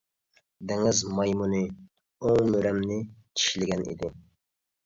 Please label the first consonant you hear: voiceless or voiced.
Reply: voiced